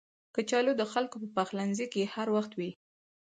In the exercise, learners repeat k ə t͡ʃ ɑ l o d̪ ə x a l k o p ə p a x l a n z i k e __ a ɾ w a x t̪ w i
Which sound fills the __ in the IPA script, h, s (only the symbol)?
h